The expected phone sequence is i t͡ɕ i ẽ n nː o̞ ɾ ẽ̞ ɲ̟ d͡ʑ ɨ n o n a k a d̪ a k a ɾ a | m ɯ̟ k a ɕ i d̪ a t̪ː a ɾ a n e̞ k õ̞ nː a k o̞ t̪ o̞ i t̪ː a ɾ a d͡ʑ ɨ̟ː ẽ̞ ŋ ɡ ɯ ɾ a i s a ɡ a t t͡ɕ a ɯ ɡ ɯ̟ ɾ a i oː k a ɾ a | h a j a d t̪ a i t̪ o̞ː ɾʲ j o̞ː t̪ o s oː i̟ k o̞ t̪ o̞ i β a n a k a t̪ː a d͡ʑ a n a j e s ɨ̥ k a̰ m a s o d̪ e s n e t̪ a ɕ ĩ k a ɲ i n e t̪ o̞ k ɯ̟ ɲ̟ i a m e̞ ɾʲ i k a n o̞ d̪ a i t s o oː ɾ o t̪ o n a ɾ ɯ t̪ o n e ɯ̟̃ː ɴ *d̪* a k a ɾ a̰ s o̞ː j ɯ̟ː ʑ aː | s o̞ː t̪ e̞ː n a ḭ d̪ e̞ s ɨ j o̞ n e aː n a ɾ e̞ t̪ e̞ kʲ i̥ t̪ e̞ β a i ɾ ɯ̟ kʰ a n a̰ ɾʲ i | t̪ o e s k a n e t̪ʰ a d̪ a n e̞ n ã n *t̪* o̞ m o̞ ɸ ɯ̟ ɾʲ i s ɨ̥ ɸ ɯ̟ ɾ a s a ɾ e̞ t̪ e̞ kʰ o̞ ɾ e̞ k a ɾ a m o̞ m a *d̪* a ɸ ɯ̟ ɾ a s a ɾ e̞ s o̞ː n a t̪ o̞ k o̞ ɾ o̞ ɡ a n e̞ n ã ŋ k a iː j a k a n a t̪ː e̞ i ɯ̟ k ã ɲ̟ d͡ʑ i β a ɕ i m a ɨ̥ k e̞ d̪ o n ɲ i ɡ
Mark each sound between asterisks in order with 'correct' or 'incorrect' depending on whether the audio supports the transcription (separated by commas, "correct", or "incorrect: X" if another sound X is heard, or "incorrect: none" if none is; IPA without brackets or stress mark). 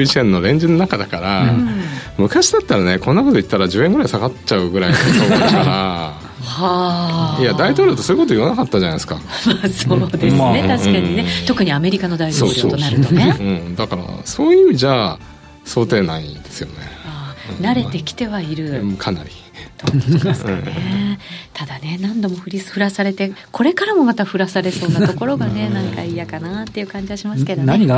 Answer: correct, incorrect: d̪, incorrect: t̪